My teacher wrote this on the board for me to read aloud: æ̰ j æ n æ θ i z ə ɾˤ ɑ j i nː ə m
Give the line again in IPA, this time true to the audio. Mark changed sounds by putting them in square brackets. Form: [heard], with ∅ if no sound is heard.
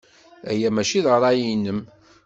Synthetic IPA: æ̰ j æ [m] æ [ʃ] i [ð] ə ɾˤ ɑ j i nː ə m